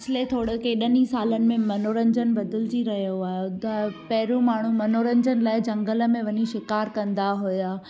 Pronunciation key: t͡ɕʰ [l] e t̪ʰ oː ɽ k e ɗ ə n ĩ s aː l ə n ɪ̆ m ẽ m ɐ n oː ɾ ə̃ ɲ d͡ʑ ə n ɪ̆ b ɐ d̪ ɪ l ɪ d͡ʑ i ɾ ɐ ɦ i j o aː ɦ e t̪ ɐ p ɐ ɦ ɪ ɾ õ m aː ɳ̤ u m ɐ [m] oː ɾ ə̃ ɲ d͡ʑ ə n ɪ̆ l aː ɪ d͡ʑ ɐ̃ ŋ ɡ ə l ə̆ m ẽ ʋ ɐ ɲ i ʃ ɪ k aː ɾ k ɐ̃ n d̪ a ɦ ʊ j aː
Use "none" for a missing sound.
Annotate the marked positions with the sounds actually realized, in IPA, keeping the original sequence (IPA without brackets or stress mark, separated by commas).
l, n